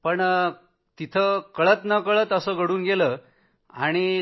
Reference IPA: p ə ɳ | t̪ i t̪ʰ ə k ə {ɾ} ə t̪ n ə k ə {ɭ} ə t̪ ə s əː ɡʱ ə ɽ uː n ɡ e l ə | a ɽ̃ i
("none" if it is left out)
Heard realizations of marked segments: ɭ, ɭ

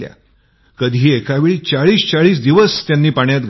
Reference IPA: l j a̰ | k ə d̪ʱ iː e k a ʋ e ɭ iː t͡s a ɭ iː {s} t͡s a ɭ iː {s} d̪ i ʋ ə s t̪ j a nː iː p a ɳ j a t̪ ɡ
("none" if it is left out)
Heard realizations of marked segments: s, s

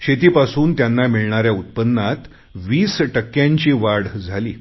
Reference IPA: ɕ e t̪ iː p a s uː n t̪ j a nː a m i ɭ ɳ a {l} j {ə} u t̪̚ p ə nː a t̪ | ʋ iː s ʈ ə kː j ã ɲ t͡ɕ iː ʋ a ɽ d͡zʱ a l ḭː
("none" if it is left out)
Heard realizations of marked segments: ɾ, a

